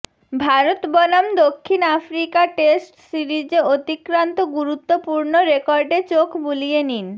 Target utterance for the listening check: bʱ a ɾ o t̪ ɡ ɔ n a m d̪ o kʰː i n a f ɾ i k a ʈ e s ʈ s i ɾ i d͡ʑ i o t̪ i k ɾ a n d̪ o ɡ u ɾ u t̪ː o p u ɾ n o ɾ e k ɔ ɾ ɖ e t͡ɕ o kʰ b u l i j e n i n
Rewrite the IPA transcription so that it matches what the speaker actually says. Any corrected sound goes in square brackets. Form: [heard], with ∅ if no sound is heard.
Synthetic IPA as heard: bʱ a ɾ o t̪ [b] ɔ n a m d̪ o kʰː i n a f ɾ i k a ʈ e s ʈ s i ɾ i d͡ʑ [e] o t̪ i k ɾ a n [t̪] o ɡ u ɾ u t̪ː o p u ɾ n o ɾ e k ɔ ɾ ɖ e t͡ɕ o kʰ b u l i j e n i n